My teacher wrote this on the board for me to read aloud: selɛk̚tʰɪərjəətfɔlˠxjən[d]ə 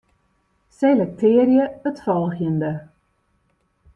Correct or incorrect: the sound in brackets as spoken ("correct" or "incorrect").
correct